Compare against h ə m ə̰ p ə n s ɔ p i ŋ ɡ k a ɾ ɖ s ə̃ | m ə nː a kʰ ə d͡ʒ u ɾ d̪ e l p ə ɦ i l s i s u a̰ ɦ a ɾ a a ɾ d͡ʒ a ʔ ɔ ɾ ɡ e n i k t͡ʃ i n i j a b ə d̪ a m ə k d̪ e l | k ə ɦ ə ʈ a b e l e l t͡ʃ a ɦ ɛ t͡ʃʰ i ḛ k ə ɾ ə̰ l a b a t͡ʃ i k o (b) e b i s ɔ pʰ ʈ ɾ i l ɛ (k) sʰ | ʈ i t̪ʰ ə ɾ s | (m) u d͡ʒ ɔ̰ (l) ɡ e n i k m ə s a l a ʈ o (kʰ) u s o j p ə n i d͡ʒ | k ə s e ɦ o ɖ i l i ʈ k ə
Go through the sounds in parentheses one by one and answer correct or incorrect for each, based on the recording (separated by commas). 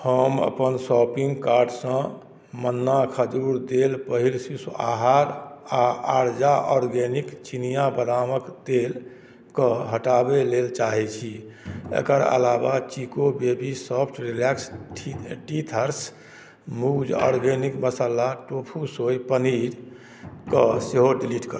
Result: correct, correct, correct, incorrect, incorrect